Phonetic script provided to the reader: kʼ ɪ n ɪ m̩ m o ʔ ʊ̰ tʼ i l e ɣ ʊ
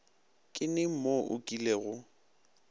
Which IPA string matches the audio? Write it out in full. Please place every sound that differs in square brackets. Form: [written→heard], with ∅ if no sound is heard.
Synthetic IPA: kʼ ɪ n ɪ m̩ m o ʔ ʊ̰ [tʼ→kʼ] i l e ɣ ʊ